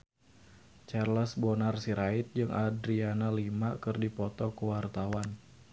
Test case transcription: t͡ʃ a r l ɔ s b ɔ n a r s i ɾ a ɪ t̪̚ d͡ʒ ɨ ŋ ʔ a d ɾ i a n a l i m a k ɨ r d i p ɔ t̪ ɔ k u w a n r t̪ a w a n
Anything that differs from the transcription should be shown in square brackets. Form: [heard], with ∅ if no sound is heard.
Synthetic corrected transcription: t͡ʃ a r l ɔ s b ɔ n a r s i ɾ a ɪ t̪̚ d͡ʒ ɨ ŋ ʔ a d ɾ i a n a l i m a k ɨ r d i p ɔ t̪ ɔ k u w a [∅] r t̪ a w a n